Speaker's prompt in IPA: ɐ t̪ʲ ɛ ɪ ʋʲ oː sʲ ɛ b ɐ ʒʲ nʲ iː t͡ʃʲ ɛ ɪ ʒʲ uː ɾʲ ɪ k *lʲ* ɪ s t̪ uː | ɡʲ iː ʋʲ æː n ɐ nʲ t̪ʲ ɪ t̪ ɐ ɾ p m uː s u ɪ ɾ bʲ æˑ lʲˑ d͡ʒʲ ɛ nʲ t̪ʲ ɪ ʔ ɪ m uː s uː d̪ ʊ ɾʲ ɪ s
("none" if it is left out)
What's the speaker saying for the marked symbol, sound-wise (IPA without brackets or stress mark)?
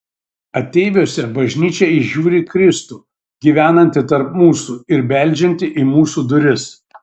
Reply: ɾʲ